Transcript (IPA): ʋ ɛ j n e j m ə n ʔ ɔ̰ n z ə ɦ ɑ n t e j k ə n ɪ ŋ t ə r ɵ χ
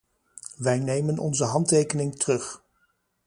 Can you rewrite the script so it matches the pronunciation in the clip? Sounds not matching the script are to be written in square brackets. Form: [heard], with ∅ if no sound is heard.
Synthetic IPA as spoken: ʋ ɛ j n e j m ə n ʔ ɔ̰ n z ə ɦ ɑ n t e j k ə n ɪ ŋ t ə r ɵ χ